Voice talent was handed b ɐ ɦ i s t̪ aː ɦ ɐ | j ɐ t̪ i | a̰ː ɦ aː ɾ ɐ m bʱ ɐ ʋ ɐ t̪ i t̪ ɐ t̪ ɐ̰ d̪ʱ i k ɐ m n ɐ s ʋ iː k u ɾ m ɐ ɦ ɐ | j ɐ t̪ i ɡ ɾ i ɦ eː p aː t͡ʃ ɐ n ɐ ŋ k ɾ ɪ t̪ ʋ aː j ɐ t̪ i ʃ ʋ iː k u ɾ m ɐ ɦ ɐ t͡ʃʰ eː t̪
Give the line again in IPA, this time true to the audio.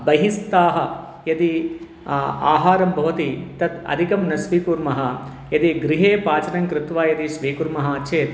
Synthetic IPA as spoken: b ɐ ɦ i s t̪ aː ɦ ɐ | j ɐ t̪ i | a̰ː ɦ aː ɾ ɐ m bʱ ɐ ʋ ɐ t̪ i t̪ ɐ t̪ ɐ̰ d̪ʱ i k ɐ m n ɐ s ʋ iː k u ɾ m ɐ ɦ ɐ | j ɐ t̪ i ɡ ɾ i ɦ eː p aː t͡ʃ ɐ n ɐ ŋ k ɾ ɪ t̪ ʋ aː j ɐ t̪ i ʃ ʋ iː k u ɾ m ɐ ɦ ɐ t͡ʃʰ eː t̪

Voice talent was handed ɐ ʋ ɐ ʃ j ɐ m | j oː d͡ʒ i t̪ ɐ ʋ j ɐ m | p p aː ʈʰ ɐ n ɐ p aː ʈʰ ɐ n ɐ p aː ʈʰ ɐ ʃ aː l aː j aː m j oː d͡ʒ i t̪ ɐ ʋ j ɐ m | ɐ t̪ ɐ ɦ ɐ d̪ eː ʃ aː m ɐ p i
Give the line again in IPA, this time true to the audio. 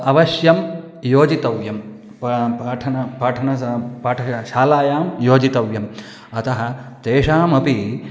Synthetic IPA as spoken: ɐ ʋ ɐ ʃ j ɐ m | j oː d͡ʒ i t̪ ɐ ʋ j ɐ m | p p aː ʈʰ ɐ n ɐ p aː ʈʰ ɐ n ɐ p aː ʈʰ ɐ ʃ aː l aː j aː m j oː d͡ʒ i t̪ ɐ ʋ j ɐ m | ɐ t̪ ɐ ɦ ɐ t̪ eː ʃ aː m ɐ p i

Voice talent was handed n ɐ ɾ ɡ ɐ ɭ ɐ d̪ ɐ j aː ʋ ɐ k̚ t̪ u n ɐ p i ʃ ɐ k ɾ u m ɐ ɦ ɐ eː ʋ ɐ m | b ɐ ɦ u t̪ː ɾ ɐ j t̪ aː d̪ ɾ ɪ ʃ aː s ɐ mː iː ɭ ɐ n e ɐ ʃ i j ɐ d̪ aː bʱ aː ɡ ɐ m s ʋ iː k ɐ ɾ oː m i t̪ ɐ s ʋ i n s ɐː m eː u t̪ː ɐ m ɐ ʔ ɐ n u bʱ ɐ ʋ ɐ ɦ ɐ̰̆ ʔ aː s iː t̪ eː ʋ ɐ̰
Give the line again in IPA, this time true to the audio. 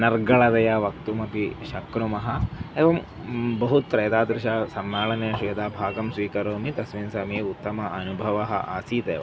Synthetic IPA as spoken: n ɐ ɾ ɡ ɐ ɭ ɐ d̪ ɐ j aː ʋ ɐ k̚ t̪ u m ɐ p i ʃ ɐ k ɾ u m ɐ ɦ ɐ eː ʋ ɐ m | b ɐ ɦ u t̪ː ɾ ɐ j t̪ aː d̪ ɾ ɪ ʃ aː s ɐ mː aː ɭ ɐ n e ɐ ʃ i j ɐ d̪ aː bʱ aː ɡ ɐ m s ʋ iː k ɐ ɾ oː m i t̪ ɐ s ʋ i n s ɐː m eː u t̪ː ɐ m ɐ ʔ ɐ n u bʱ ɐ ʋ ɐ ɦ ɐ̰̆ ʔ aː s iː t̪ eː ʋ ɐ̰

